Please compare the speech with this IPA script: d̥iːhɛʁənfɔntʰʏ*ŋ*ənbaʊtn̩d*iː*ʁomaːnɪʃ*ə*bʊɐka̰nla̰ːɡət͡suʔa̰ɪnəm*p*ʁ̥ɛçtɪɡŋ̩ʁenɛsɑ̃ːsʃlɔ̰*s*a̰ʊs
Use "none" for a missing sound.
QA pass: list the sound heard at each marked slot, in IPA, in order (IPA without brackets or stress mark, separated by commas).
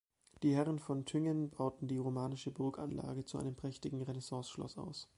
ŋ, iː, ə, p, s